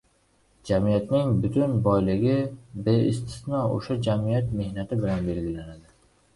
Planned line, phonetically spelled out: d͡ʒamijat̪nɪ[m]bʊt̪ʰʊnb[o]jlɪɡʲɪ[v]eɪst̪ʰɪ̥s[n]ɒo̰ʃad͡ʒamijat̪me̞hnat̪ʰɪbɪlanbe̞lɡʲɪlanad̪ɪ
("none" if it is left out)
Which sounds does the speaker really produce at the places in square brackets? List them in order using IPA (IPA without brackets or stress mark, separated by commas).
ŋ, ɒ, b, n